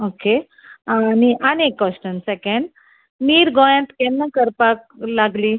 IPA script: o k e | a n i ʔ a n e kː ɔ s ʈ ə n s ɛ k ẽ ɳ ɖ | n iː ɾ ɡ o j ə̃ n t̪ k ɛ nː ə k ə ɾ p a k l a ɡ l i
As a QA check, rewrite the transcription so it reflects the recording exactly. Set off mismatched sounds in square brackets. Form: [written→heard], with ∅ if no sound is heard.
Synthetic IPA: o k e | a n i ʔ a n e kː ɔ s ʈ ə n s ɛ k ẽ ɳ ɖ | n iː ɾ ɡ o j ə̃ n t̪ k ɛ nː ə k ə ɾ p a k l a ɡ l i